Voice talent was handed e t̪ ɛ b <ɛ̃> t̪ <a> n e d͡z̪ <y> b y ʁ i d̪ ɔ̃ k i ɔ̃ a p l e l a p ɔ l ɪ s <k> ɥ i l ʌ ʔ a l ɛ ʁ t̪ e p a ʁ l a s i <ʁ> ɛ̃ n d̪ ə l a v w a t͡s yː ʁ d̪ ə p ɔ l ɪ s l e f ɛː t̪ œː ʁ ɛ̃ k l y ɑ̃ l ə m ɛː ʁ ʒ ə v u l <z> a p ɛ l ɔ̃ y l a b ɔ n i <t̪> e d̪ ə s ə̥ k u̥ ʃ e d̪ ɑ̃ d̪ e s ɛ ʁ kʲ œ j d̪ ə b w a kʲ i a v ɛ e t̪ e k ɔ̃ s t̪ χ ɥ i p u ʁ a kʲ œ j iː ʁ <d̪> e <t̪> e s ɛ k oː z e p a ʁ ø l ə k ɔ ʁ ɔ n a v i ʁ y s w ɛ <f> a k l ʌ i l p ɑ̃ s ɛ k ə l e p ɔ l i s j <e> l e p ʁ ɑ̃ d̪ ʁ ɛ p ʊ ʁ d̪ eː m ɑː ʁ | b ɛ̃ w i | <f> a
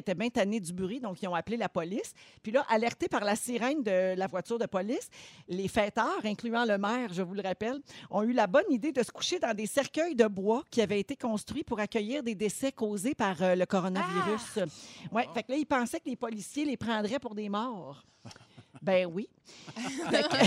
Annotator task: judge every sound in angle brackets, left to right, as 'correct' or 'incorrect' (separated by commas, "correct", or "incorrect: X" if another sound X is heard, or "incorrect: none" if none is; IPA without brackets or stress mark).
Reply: correct, correct, correct, incorrect: p, correct, incorrect: ʁ, incorrect: d̪, correct, incorrect: d̪, correct, correct, correct